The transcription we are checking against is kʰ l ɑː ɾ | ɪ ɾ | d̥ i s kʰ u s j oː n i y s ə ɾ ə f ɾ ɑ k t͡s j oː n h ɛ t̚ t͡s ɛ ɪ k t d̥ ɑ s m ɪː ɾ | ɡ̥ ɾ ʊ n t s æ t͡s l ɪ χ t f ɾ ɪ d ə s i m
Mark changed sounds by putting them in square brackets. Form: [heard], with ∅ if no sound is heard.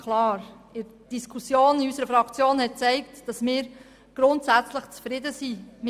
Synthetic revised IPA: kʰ l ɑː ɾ | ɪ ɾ | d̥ i s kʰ u s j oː n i y s ə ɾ ə f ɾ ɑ k t͡s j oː n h ɛ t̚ t͡s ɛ ɪ k t d̥ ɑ s m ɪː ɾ | ɡ̥ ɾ ʊ n t s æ t͡s l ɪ χ [t͡s] f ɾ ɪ d ə s i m